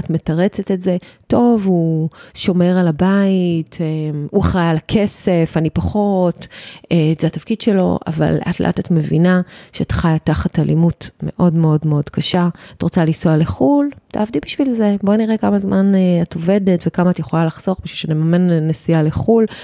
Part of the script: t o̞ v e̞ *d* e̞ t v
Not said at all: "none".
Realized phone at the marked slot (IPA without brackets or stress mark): d